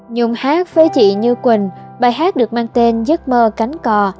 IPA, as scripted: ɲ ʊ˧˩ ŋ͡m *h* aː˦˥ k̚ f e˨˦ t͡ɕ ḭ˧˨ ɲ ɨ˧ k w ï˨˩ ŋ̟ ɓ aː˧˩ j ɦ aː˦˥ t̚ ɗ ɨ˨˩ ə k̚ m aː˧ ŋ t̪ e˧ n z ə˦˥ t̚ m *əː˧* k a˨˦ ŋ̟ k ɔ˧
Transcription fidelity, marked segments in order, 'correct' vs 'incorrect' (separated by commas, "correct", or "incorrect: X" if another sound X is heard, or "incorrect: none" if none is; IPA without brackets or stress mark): correct, correct